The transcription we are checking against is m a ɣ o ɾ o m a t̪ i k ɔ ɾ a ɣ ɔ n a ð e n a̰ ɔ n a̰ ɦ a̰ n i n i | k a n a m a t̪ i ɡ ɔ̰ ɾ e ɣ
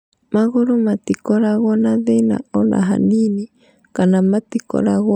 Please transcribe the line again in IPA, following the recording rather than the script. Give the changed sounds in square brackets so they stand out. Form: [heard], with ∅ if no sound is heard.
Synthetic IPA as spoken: m a ɣ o ɾ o m a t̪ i k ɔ ɾ a ɣ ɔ n a ð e n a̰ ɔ n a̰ ɦ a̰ n i n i | k a n a m a t̪ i [k] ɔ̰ ɾ [a] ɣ

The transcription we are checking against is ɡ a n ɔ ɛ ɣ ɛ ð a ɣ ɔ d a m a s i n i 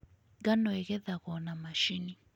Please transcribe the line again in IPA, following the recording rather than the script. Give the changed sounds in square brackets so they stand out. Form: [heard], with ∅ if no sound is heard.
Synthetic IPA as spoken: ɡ a n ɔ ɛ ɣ ɛ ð a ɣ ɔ [n] a m a [ʃ] i n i

